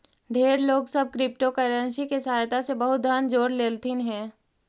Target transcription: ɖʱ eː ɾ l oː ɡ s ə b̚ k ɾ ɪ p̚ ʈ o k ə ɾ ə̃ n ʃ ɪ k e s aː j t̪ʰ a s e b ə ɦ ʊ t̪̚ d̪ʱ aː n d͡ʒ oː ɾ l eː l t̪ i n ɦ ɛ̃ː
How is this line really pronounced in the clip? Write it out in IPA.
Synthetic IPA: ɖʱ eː ɾ l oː ɡ s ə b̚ k ɾ ɪ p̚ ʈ o k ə ɾ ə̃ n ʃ i k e s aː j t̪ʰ a s e b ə ɦ ʊ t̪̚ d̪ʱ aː n d͡ʒ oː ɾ l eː l t̪ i n ɦ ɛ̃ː